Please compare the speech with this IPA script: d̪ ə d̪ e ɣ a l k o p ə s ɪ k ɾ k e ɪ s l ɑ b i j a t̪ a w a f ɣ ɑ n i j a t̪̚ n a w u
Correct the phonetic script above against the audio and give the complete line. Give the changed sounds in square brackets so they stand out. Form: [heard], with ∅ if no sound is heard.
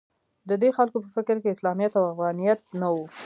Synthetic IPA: d̪ ə d̪ e [x] a l k o p ə [f] ɪ k ɾ k e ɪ s l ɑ [m] i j a t̪ a w a f ɣ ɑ n i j a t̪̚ n a w u